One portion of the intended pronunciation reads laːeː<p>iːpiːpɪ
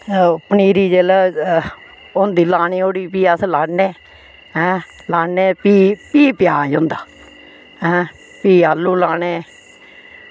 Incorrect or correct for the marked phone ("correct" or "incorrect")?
correct